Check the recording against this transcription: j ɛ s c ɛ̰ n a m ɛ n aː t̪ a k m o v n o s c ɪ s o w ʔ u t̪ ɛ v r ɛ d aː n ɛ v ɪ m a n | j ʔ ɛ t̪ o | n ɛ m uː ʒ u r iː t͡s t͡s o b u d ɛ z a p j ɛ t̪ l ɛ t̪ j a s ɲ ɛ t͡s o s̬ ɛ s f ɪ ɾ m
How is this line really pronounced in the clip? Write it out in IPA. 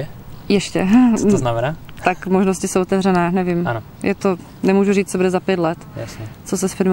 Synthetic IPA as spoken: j ɛ ʃ c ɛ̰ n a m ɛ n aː t̪ a k m o ʒ n o s c ɪ s o w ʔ o t̪ ɛ v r ɛ n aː n ɛ v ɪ m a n | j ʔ ɛ t̪ o | n ɛ m uː ʒ u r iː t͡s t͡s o b u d ɛ z a p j ɛ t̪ l ɛ t̪ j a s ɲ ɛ t͡s o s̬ ɛ s f ɪ ɾ m